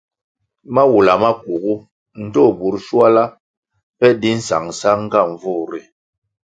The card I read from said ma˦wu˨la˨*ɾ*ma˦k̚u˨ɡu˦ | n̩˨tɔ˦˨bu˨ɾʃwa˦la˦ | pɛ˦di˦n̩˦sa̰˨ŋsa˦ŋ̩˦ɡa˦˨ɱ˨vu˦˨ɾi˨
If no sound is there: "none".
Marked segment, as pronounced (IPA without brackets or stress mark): none